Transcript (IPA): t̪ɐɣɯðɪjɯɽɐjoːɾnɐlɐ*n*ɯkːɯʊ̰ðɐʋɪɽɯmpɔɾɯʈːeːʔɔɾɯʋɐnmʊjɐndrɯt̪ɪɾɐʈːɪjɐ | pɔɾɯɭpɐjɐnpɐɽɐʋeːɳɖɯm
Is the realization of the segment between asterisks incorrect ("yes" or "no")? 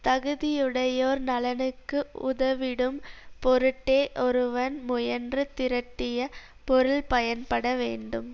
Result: no